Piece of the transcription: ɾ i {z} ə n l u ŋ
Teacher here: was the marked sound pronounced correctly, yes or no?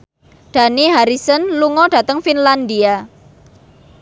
no